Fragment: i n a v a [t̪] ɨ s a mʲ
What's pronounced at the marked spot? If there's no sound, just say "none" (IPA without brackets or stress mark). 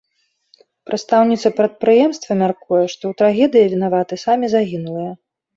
t̪